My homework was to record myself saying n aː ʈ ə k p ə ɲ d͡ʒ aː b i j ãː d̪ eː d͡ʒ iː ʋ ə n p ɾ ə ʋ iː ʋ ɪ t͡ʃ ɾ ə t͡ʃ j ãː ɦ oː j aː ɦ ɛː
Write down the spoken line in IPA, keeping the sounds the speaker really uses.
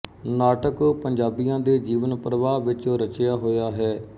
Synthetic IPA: n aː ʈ ə k p ə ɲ d͡ʒ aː b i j ãː d̪ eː d͡ʒ iː ʋ ə n p ɾ ə ʋ aː ʋ ɪ t͡ʃ ɾ ə t͡ʃ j aː ɦ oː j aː ɦ ɛː